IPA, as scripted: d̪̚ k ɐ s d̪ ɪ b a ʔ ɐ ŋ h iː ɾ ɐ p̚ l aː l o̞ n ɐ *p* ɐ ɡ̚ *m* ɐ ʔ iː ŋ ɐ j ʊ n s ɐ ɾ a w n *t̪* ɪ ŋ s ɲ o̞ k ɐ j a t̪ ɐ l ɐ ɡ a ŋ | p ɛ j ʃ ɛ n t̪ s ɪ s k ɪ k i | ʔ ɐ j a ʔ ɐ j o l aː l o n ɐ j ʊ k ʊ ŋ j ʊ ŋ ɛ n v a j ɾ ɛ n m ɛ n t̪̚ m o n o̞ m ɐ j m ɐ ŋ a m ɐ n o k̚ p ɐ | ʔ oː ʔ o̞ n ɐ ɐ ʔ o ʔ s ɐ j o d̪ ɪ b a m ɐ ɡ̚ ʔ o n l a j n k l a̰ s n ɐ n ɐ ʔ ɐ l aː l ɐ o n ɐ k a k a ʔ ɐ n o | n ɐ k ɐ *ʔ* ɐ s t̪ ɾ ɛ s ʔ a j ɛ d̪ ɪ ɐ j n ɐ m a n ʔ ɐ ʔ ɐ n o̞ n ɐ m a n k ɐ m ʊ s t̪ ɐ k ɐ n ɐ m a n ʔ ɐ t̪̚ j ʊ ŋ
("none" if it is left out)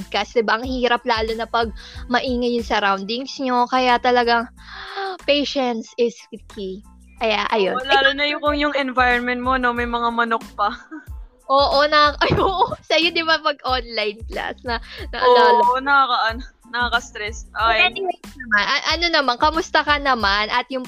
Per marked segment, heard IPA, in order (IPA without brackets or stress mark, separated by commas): p, m, d̪, k